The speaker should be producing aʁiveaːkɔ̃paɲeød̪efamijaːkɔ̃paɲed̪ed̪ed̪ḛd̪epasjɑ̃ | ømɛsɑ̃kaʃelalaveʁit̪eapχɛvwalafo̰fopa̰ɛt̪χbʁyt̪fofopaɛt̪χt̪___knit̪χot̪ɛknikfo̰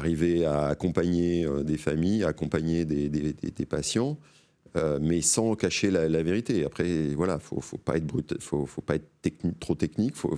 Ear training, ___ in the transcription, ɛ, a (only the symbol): ɛ